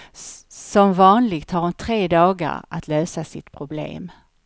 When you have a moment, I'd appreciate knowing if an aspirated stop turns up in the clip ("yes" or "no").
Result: yes